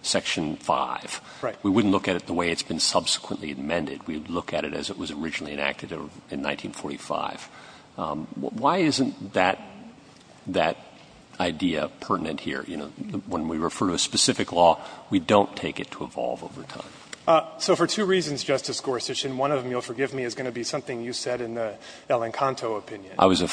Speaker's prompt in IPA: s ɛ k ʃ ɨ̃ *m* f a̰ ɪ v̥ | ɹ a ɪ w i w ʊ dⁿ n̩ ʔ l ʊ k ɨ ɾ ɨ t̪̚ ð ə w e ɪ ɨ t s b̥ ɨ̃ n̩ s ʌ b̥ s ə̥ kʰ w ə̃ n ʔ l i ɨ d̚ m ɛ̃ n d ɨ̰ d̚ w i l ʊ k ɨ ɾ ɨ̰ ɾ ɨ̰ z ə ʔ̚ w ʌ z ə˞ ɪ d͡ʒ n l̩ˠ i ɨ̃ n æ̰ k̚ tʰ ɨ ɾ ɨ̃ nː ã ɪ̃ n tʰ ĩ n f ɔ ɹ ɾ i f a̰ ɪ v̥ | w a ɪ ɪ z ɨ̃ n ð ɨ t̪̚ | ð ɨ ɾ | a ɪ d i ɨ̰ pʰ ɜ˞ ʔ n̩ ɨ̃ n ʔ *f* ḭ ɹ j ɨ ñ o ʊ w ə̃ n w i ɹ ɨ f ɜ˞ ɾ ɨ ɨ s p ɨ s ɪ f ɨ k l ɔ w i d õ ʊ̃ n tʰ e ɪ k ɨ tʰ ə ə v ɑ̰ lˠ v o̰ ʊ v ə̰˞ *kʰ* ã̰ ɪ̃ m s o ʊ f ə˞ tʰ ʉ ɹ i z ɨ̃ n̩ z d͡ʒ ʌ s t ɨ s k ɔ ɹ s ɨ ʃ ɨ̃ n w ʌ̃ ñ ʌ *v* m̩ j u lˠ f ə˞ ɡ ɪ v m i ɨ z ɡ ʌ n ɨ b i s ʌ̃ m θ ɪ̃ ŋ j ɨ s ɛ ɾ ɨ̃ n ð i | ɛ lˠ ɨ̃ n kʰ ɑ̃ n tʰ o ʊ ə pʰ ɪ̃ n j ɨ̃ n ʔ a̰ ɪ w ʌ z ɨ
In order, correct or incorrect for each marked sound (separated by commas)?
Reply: incorrect, incorrect, incorrect, correct